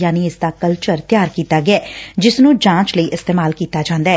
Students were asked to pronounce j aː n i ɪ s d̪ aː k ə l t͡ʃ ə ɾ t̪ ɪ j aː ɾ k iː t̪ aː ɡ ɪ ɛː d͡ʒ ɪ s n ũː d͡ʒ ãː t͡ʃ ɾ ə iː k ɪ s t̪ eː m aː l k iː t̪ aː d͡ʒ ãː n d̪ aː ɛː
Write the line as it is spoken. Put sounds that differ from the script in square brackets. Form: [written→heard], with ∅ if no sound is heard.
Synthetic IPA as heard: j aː n i ɪ s d̪ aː k ə l t͡ʃ ə ɾ t̪ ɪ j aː ɾ k iː t̪ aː ɡ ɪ ɛː d͡ʒ ɪ s n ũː d͡ʒ ãː t͡ʃ [ɾ→l] ə iː [k→ʔ] ɪ s t̪ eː m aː l k iː t̪ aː d͡ʒ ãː n d̪ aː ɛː